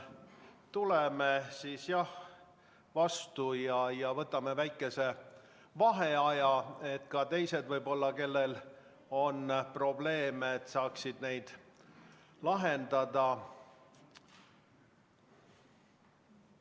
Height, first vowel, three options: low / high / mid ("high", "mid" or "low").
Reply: high